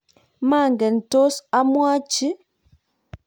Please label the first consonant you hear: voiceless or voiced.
voiced